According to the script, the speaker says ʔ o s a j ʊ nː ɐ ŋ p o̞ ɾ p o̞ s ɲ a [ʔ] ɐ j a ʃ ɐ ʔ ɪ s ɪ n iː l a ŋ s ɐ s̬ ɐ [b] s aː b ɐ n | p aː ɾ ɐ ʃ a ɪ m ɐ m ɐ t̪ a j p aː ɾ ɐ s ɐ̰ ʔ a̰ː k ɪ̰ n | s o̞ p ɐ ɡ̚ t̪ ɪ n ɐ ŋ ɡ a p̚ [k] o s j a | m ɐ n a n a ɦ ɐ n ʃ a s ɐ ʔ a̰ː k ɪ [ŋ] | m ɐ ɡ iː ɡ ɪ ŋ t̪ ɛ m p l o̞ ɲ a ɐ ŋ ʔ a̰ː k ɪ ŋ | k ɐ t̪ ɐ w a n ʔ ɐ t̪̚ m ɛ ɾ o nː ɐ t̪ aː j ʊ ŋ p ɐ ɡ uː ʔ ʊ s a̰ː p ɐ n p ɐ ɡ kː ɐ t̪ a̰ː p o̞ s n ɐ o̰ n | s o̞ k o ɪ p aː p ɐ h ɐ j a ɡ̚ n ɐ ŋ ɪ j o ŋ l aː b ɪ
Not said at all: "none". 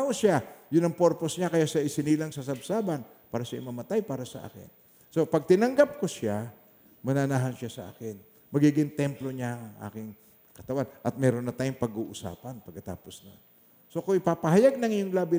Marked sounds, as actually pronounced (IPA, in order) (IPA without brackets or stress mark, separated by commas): k, b, k, n